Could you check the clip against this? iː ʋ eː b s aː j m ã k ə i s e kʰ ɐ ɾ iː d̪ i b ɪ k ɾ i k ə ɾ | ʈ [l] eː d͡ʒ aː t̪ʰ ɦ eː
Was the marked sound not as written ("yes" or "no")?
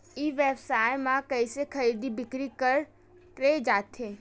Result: yes